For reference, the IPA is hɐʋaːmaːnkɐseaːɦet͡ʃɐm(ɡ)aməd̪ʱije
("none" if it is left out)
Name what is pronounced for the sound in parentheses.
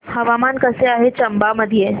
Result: b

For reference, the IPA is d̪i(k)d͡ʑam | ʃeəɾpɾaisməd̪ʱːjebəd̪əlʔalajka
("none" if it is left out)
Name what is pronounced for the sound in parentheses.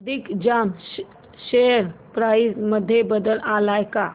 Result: k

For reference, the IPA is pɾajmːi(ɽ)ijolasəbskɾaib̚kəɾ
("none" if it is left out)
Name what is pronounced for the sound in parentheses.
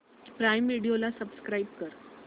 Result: ɽ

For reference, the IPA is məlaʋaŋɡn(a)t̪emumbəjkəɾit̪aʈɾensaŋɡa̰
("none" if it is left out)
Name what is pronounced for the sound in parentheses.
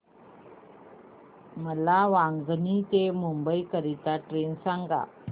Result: i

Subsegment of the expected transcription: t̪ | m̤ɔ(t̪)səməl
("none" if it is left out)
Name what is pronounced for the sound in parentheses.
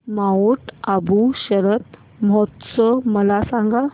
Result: t̪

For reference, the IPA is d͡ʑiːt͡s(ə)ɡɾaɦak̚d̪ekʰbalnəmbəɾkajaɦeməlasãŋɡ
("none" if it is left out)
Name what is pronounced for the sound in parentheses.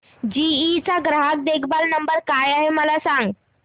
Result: a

